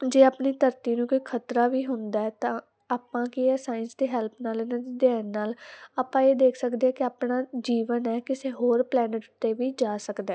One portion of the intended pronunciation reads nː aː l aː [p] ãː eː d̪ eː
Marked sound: correct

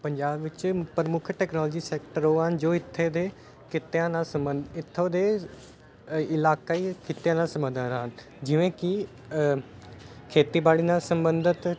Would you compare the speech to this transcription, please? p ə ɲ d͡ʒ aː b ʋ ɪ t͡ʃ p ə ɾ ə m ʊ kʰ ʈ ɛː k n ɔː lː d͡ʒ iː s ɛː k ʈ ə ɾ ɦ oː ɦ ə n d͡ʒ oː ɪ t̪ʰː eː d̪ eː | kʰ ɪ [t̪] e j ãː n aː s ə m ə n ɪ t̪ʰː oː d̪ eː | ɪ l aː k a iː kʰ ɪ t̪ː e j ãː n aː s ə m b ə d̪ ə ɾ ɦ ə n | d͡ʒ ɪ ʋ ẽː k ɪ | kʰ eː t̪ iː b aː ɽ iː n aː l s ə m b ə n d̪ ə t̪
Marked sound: correct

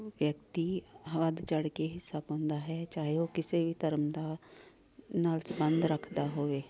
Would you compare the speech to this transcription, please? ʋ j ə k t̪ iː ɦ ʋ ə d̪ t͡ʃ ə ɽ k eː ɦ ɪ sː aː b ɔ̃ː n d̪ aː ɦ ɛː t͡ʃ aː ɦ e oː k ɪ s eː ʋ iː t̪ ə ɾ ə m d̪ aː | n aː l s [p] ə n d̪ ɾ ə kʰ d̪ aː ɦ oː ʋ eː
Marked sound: incorrect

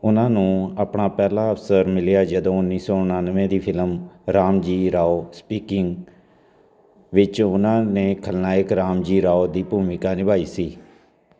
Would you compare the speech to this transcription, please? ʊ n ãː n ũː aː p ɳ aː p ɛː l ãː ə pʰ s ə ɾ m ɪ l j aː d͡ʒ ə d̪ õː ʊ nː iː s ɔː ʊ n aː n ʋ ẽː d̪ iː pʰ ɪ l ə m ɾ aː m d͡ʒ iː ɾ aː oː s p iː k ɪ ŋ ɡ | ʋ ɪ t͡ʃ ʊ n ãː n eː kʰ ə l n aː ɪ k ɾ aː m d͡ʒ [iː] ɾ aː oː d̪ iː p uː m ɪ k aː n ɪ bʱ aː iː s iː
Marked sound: correct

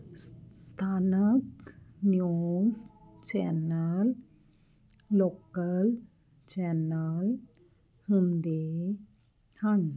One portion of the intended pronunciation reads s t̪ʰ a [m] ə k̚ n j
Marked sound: incorrect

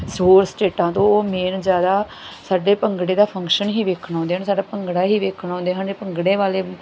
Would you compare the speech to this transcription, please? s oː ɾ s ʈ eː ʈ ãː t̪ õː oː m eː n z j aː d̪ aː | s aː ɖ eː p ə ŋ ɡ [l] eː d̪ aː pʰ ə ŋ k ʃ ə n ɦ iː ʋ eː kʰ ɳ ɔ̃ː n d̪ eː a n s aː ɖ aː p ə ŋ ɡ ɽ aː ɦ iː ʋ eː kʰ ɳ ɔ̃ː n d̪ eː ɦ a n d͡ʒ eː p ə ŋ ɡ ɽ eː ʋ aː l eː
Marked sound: incorrect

